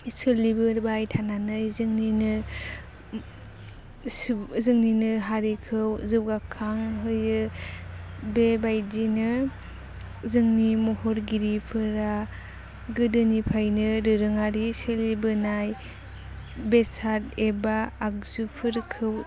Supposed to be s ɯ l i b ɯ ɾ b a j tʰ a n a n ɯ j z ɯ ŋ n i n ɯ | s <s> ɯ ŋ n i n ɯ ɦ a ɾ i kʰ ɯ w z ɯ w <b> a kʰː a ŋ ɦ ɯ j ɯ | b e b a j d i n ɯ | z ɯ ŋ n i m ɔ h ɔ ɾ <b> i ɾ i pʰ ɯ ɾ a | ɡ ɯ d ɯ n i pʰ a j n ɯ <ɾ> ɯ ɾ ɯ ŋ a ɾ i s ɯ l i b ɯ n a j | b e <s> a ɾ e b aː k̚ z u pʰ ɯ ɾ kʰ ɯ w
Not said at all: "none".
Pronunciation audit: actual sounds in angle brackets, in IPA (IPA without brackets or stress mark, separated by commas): z, ɡ, ɡ, ɾ, s